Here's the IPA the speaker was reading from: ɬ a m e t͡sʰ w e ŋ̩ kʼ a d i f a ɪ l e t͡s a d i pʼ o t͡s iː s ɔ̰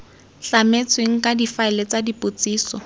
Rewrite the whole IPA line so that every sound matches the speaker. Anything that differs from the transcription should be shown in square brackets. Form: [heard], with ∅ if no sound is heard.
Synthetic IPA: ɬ a m e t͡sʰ w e ŋ̩ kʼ a d i f a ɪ l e t͡s a d i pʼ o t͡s iː s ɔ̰